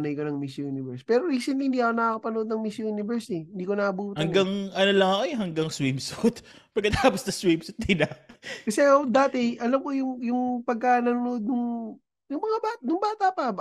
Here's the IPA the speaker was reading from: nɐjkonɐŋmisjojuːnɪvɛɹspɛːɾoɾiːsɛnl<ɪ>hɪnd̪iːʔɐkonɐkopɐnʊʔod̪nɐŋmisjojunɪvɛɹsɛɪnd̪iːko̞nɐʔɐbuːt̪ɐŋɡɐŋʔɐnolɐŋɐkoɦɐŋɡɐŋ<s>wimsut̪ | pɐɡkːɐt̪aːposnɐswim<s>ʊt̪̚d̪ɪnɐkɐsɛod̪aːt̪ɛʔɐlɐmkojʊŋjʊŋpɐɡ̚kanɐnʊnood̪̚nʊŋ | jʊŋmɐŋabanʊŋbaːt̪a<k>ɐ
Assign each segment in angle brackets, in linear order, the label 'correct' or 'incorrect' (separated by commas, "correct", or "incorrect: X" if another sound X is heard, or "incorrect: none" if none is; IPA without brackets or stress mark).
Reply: incorrect: i, correct, correct, incorrect: p